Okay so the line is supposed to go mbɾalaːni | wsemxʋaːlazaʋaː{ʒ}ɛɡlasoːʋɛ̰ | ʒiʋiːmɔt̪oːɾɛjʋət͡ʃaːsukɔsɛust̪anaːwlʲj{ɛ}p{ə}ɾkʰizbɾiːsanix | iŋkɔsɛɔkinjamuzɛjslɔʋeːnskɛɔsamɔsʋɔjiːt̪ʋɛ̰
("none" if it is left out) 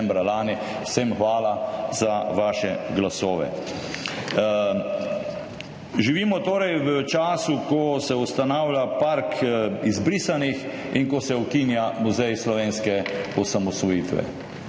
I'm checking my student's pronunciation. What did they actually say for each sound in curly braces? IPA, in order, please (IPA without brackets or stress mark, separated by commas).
ʃ, a, a